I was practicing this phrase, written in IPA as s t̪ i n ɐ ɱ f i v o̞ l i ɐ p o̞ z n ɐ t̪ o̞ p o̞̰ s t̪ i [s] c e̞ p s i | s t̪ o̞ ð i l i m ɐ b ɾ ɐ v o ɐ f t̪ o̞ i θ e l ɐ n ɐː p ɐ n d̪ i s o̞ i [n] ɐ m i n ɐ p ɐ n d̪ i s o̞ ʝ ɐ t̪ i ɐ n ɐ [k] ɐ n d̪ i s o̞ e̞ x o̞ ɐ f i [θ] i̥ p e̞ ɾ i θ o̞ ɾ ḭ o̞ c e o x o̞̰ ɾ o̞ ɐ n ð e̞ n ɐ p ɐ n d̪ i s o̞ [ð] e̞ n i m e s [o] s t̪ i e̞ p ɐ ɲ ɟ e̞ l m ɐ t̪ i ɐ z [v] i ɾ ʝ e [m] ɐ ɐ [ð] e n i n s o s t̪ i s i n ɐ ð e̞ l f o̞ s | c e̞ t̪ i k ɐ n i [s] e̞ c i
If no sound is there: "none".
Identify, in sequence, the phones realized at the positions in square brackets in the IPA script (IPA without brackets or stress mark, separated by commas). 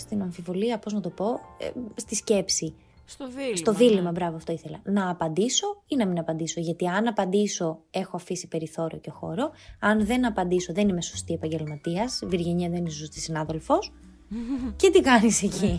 s, n, p, s, ð, o, v, ɲ, ð, s